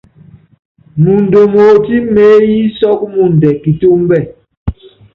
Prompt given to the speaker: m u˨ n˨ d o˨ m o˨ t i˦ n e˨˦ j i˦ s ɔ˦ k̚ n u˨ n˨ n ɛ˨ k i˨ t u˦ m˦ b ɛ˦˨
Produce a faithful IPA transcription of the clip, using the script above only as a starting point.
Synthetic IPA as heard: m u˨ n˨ d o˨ m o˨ t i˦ m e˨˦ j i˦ s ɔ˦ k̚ m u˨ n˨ d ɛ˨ k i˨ t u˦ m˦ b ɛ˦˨